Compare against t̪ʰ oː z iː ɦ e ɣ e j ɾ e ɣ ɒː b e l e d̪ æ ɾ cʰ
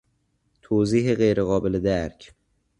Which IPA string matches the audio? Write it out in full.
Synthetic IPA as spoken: t̪ʰ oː z iː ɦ e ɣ e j ɾ e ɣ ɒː b e l e d̪ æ ɾ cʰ